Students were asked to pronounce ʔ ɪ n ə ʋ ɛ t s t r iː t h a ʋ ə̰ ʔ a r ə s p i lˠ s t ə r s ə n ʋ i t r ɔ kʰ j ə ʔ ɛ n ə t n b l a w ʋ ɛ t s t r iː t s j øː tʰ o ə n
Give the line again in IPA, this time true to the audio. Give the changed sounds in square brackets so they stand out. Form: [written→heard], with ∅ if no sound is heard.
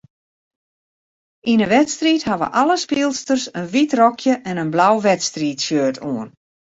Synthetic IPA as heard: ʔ [ɪ→i] n ə ʋ ɛ t s t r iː t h a ʋ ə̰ ʔ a [r→l] ə s p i lˠ s t ə r s ə n ʋ i t r ɔ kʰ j ə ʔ ɛ n ə [t→∅] n b l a w ʋ ɛ t s t r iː t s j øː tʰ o ə n